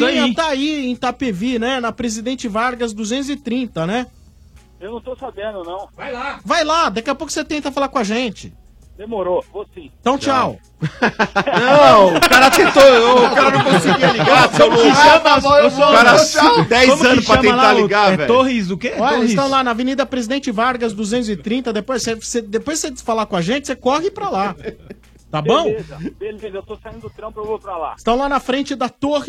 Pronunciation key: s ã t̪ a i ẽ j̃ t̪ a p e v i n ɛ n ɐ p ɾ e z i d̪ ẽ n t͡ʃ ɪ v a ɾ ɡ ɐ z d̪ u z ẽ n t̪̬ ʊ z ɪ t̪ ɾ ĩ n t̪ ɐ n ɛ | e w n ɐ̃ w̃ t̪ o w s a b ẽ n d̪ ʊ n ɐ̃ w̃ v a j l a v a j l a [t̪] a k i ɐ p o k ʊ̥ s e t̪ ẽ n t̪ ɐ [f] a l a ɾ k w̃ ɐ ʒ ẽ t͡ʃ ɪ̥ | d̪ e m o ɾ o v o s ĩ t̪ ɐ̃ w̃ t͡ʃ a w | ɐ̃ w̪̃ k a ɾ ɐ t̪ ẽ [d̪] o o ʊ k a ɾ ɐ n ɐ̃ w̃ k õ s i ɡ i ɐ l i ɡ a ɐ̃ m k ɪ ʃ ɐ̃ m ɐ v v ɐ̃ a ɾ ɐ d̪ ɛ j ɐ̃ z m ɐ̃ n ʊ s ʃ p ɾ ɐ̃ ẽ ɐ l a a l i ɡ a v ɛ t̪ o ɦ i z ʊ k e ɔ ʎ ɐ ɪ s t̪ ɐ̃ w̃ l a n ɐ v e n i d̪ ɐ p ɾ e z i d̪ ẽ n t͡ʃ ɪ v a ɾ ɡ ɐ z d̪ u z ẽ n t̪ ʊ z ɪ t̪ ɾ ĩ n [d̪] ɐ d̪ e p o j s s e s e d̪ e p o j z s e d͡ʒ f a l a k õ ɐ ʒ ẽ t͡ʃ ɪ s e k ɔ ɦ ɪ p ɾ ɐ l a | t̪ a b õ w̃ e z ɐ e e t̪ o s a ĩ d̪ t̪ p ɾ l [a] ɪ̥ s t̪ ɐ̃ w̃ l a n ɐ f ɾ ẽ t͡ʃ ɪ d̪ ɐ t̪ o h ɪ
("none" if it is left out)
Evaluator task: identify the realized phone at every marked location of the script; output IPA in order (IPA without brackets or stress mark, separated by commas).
d̪, f, t̪, t̪, a